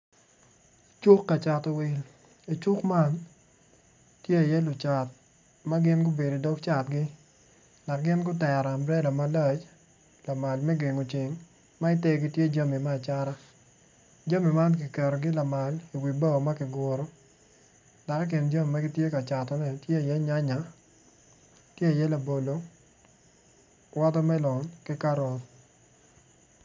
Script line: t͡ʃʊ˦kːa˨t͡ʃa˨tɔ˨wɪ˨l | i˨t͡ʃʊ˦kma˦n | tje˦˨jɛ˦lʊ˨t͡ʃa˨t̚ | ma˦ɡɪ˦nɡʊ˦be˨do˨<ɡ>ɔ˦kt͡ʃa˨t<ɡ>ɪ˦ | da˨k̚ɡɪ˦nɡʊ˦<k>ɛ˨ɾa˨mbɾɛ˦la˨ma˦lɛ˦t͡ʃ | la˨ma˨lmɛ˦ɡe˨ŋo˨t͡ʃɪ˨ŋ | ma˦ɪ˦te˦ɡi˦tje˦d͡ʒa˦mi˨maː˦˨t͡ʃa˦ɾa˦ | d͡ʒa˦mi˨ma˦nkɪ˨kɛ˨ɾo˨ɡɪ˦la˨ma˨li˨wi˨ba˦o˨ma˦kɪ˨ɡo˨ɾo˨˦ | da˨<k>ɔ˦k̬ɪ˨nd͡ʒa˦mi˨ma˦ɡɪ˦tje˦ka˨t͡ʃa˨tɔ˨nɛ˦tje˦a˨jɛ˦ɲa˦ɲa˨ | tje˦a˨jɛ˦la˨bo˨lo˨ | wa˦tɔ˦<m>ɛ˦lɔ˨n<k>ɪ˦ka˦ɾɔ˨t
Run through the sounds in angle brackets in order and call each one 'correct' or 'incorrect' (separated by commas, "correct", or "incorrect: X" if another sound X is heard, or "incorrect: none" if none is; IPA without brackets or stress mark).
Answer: incorrect: d, correct, incorrect: t, correct, correct, correct